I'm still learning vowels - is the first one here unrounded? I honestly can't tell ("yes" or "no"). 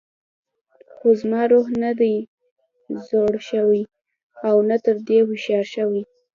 no